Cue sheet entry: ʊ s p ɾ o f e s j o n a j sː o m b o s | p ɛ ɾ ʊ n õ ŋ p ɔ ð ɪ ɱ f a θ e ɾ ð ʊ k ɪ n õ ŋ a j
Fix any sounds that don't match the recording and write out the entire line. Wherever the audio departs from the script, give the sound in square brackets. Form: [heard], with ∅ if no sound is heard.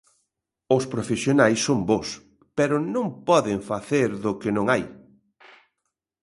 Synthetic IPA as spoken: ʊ s p ɾ o f e s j o n a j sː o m b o s | p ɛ ɾ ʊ n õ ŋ p ɔ ð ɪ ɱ f a θ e ɾ ð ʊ k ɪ n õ ŋ a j